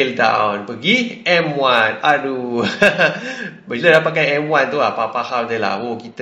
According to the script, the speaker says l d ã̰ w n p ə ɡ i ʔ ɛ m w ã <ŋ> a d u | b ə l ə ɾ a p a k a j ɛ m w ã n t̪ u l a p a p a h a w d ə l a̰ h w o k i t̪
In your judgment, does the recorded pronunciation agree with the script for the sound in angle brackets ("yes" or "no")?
no